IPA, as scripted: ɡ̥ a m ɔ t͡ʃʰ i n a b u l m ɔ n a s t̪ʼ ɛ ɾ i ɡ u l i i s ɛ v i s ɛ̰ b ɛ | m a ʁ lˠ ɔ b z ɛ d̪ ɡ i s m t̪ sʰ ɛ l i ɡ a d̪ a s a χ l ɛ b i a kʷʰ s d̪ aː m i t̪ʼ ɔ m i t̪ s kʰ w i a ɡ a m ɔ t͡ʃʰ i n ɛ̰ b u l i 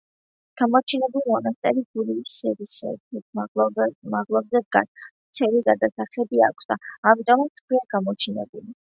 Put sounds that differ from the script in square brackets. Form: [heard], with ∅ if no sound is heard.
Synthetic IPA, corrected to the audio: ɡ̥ a m ɔ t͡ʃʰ i n [ɛ] b u l m ɔ n a s t̪ʼ ɛ ɾ i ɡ u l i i s ɛ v i s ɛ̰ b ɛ | m a ʁ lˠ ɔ b z ɛ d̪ ɡ [a] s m t̪ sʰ ɛ l i ɡ a d̪ a s a χ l ɛ b i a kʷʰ s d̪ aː m i t̪ʼ ɔ m [a] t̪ s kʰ w i a ɡ a m ɔ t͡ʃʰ i n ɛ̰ b u l i